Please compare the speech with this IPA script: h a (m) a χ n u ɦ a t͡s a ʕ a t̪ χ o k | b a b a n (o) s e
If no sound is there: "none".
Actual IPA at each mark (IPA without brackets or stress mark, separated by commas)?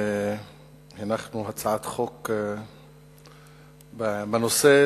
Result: n, o